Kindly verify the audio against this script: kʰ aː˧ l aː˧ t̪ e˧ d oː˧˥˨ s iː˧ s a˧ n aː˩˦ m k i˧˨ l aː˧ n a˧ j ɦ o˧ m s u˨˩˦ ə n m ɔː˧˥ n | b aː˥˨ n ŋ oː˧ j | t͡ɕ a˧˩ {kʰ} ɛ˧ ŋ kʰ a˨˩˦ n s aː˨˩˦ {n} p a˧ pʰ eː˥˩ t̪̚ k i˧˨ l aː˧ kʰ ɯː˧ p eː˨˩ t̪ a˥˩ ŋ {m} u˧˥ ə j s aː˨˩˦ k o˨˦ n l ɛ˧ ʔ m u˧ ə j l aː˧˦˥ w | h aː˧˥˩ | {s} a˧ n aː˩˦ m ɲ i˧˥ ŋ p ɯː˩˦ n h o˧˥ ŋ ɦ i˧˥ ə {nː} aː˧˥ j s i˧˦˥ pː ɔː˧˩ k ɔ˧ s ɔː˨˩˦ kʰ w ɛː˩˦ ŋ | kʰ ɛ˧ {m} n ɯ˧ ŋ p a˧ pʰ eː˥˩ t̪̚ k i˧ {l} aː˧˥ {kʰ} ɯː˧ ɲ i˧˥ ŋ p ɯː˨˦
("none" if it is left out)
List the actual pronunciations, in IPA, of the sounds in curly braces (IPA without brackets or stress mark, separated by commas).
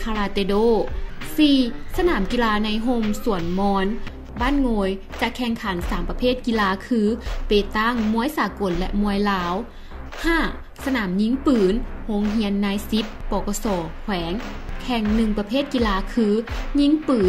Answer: kʰ, m, m, s, nː, ŋ, l, kʰ